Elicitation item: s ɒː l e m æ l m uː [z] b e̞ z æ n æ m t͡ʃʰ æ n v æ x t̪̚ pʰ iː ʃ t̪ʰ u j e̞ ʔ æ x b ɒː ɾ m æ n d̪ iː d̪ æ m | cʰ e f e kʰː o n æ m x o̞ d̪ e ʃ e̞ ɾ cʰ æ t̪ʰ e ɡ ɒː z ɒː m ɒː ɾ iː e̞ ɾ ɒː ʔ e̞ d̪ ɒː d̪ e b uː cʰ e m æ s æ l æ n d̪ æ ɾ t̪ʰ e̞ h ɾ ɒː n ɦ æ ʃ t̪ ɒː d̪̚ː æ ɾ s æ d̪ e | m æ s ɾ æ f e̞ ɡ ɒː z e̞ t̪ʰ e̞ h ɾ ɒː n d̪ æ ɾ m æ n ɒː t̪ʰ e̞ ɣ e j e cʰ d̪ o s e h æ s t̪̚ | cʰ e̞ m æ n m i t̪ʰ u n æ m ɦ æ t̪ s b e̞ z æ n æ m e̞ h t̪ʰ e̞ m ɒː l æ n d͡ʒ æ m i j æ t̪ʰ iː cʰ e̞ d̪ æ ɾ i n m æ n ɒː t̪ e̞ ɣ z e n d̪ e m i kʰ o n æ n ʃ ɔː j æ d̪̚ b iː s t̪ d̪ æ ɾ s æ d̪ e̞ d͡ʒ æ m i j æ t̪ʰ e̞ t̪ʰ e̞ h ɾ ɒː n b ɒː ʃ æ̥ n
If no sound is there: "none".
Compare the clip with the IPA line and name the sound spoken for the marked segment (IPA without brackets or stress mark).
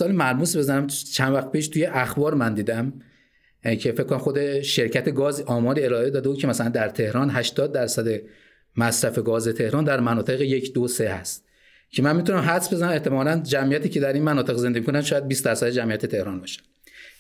s